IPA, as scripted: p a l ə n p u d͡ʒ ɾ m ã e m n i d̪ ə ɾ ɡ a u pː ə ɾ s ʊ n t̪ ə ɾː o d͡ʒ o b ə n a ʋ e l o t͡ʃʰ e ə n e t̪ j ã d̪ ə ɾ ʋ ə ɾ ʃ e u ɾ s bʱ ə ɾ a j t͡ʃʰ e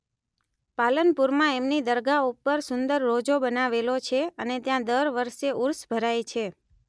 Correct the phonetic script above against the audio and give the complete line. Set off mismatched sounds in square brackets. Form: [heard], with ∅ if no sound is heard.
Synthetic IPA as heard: p a l ə n p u [∅] ɾ m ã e m n i d̪ ə ɾ ɡ a u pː ə ɾ s ʊ n [d̪] ə ɾː o d͡ʒ o b ə n a ʋ e l o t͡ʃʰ e ə n e t̪ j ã d̪ ə ɾ ʋ ə ɾ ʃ e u ɾ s bʱ ə ɾ a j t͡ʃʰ e